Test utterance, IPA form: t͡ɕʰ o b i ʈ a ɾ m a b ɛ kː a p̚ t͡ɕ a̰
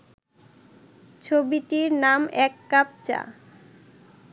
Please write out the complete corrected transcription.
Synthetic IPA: t͡ɕʰ o b i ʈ i ɾ n a m ɛ kː a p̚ t͡ɕ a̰